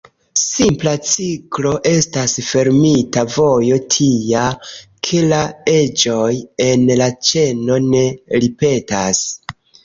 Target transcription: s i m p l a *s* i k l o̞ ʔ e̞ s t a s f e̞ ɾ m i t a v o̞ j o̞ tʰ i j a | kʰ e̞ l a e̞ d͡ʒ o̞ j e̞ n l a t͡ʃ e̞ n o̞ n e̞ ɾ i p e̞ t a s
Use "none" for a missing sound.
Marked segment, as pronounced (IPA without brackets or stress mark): t͡s